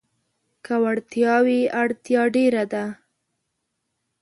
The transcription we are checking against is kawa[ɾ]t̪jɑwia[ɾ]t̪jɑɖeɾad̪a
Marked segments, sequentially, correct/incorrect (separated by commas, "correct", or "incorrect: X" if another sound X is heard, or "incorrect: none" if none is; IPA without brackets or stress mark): incorrect: ɽ, incorrect: ɽ